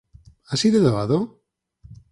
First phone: a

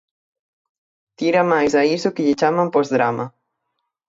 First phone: t̪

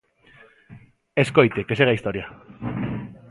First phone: e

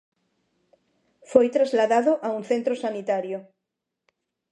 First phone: f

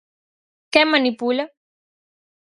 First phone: k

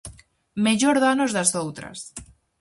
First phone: m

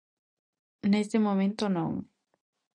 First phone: n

